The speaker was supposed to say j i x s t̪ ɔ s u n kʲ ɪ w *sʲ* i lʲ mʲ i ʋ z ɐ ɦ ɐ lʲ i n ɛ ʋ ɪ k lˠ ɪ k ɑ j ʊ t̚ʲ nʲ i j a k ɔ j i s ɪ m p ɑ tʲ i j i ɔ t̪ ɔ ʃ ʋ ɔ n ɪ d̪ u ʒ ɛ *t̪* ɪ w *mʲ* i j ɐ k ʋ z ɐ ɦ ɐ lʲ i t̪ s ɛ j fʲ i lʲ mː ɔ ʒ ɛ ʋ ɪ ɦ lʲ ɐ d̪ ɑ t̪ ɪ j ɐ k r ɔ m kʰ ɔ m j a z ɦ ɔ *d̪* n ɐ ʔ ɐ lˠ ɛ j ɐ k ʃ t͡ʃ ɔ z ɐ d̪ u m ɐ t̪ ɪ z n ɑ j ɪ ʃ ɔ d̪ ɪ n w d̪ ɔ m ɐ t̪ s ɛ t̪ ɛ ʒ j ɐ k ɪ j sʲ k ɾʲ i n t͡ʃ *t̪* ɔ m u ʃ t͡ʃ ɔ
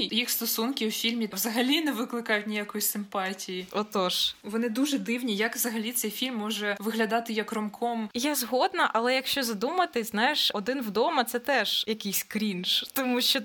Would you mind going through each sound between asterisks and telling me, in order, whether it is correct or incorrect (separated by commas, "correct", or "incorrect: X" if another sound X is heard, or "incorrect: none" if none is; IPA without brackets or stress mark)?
incorrect: fʲ, incorrect: d̪, incorrect: nʲ, correct, correct